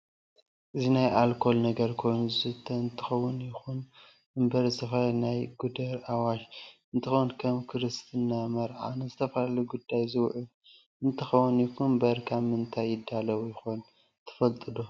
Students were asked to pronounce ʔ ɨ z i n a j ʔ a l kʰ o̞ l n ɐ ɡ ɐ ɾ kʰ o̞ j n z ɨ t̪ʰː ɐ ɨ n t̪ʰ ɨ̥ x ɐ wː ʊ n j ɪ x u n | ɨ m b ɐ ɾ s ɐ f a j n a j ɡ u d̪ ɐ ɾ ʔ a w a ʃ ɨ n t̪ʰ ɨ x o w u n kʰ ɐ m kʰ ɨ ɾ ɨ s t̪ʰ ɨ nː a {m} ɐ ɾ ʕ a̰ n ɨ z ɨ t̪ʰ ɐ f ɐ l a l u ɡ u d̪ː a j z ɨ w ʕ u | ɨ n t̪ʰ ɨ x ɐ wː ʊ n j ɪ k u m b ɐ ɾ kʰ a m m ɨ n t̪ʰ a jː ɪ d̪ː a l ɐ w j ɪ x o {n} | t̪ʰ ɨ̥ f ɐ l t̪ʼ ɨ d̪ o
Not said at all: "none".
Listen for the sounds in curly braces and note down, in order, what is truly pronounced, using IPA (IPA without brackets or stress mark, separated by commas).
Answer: m, n